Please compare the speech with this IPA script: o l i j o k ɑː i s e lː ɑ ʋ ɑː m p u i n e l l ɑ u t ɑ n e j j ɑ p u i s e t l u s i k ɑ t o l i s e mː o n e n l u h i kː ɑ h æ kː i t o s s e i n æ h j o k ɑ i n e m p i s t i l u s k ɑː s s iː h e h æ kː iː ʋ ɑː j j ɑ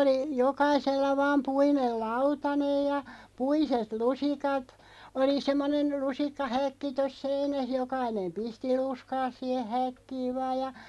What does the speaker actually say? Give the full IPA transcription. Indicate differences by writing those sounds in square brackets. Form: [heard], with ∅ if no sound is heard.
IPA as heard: o l i j o k [ɑ] i s e lː ɑ ʋ ɑː m p u i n e l l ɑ u t ɑ n e j j ɑ p u i s e t l u s i k ɑ t o l i s e mː o n e n l u [s] i kː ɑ h æ kː i t o s s e i n æ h j o k ɑ i n e m p i s t i l u s k ɑː s s iː h e h æ kː iː ʋ ɑː j j ɑ